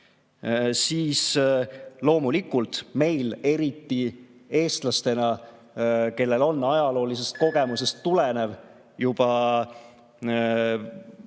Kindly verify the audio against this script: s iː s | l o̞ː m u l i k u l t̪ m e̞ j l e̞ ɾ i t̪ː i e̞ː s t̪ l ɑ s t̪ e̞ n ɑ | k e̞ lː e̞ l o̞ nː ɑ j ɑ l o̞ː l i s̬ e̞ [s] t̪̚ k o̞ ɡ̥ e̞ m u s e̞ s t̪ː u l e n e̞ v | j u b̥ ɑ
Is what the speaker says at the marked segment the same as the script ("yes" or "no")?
yes